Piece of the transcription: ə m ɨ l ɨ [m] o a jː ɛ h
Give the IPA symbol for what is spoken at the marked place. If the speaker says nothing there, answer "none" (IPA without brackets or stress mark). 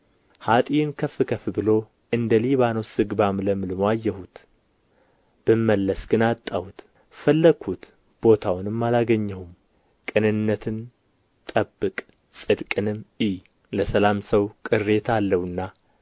m